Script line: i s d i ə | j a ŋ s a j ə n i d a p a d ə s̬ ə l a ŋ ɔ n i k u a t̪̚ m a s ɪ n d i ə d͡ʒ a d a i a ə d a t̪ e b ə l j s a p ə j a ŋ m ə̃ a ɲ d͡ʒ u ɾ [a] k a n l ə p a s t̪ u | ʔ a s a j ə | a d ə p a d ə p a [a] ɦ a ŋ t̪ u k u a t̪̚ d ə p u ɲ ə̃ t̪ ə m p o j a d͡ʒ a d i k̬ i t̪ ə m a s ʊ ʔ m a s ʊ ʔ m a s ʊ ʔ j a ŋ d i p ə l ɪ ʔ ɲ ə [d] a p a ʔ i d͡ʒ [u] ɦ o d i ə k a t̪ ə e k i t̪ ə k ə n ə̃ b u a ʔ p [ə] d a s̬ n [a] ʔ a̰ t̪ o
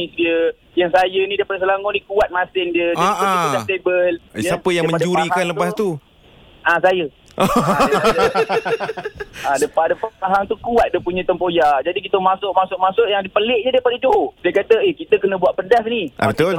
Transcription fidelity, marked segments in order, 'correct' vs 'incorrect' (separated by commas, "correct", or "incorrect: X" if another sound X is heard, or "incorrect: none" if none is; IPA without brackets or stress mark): incorrect: i, correct, correct, incorrect: o, correct, incorrect: i